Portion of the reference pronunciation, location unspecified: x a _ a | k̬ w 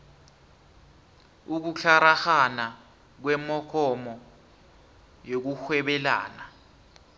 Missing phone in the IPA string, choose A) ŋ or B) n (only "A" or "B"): B